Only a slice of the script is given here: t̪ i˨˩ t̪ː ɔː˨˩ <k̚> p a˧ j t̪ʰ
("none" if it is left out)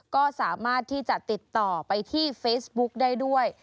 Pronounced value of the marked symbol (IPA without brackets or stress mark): none